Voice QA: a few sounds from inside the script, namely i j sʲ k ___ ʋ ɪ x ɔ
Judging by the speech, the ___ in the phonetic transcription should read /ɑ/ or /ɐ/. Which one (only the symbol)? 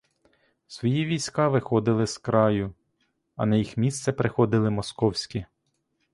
ɑ